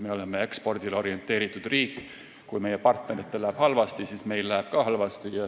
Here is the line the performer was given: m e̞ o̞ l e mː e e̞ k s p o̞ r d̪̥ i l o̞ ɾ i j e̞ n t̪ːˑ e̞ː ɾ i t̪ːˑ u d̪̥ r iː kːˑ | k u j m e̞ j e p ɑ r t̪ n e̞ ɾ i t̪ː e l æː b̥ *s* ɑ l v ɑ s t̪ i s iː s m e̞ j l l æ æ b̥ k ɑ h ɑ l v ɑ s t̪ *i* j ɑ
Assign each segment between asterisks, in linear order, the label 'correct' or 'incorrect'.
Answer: incorrect, correct

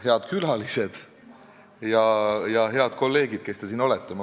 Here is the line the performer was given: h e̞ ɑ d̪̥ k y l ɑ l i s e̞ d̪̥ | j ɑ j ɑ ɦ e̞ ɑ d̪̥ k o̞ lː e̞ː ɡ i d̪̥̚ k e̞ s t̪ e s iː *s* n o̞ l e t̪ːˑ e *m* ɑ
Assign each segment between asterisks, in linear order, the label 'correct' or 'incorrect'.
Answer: incorrect, correct

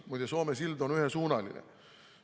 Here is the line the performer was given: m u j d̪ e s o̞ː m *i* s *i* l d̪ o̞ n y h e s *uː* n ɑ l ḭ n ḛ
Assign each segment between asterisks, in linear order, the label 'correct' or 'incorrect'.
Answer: incorrect, correct, correct

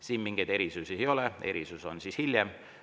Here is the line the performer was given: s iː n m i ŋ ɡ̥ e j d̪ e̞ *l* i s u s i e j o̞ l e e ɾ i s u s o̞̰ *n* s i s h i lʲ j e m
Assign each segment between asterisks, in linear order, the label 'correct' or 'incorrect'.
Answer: incorrect, correct

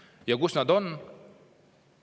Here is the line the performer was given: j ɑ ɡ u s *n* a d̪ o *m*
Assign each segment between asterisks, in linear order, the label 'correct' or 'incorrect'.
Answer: correct, incorrect

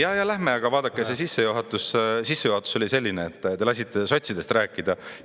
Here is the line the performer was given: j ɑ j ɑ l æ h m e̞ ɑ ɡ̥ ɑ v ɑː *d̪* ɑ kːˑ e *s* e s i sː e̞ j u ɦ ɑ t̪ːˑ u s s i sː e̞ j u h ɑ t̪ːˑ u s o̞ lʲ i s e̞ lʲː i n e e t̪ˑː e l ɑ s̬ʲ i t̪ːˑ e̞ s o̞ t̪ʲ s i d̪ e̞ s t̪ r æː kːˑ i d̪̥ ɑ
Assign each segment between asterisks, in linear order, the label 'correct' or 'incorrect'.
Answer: correct, correct

